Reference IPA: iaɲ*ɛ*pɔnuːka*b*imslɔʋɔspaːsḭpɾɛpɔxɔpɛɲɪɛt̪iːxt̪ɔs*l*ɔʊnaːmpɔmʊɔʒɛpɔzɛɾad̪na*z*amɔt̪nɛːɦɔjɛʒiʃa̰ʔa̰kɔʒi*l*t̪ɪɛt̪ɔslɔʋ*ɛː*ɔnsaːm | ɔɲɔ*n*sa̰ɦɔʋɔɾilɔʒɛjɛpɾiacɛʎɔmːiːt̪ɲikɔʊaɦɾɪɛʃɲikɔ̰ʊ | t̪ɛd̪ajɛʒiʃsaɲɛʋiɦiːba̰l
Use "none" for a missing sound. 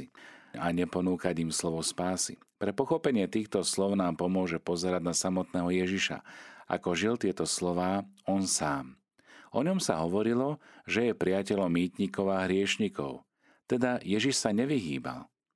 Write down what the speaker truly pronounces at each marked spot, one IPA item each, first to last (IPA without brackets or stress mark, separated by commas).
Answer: ɛ, ɟ, l, s, l, aː, m